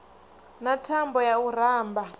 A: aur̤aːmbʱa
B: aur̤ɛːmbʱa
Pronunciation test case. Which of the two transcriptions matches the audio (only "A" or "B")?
A